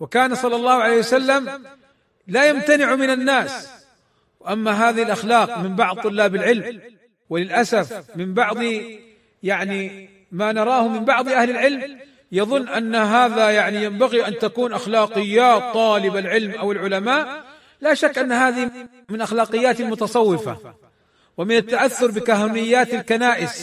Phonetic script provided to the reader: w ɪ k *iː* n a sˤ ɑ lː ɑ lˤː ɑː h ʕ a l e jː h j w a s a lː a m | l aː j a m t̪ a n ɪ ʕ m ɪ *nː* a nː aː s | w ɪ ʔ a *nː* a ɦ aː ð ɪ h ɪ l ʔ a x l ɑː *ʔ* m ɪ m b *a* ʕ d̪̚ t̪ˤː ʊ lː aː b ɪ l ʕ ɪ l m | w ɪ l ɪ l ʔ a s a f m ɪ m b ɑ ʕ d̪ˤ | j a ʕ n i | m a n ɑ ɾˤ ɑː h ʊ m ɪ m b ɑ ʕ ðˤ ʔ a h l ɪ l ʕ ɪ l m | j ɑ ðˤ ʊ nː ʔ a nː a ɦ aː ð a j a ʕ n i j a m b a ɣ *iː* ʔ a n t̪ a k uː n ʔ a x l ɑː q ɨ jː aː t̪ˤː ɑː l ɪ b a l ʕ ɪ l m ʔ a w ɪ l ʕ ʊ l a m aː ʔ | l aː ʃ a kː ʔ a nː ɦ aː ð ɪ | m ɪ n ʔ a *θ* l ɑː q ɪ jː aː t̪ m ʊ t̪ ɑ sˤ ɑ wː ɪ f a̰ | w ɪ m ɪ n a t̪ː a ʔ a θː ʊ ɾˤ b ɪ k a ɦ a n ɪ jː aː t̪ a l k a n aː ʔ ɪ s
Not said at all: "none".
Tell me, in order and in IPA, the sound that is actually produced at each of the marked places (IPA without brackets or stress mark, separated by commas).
aː, n, mː, q, ɑ, i, x